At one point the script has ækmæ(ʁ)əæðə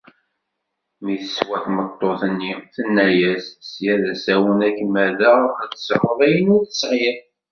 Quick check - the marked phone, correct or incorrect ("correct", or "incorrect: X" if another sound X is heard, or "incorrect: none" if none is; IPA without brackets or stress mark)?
incorrect: ð